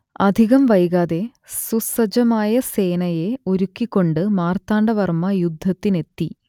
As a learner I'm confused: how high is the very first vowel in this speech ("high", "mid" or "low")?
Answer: low